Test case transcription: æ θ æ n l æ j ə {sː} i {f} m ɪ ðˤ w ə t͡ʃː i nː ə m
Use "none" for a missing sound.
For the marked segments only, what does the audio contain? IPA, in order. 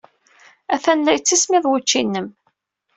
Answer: t͡sː, s

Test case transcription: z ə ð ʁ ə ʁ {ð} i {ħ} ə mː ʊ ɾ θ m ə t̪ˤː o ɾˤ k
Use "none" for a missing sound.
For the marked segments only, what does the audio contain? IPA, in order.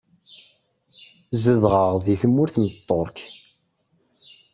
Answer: ð, θ

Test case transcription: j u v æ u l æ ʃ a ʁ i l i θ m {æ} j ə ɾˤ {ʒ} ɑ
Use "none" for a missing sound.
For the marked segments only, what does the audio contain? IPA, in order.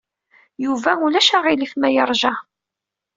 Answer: æ, ʒ

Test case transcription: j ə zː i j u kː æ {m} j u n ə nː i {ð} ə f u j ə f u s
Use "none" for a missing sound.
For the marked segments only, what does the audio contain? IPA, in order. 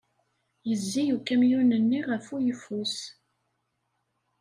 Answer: m, ʁ

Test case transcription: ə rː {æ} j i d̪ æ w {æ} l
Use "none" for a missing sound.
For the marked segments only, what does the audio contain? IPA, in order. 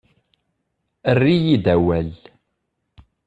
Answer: i, æ

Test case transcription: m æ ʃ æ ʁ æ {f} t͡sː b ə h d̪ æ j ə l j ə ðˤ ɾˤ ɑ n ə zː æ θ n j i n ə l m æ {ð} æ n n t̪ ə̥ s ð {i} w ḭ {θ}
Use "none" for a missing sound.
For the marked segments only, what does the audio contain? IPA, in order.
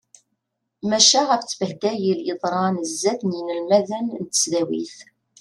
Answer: f, ð, æ, θ

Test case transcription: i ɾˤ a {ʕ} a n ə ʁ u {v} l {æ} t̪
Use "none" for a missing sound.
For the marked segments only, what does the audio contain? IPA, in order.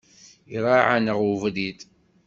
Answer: ʕ, v, i

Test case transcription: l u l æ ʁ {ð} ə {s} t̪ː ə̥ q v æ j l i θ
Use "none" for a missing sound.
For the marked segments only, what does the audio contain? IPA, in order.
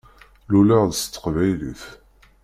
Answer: ð, s

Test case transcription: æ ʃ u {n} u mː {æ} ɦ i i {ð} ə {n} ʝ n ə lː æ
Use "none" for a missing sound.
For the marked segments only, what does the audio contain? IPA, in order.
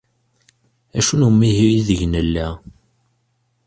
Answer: n, i, ð, none

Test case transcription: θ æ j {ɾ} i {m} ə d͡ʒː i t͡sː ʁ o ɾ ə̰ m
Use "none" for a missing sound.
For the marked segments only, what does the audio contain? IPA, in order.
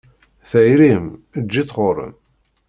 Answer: ɾ, m

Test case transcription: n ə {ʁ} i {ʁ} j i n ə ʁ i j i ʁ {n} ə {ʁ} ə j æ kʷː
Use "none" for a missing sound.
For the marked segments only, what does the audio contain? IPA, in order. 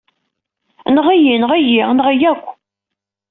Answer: ʁ, none, n, ʁ

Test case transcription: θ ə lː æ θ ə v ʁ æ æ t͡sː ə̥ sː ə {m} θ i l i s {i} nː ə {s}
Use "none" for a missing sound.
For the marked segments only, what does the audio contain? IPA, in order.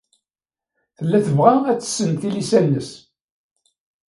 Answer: n, æ, s

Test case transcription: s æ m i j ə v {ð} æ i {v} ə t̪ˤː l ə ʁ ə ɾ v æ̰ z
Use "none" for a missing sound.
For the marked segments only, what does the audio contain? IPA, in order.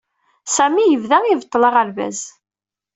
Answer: ð, v

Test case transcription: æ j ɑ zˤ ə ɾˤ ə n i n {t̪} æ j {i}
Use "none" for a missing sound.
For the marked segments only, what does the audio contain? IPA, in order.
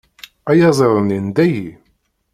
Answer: d̪, i

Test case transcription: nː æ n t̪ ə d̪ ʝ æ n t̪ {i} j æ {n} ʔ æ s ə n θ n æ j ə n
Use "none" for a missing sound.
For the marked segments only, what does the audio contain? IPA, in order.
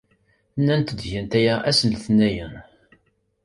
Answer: æ, none

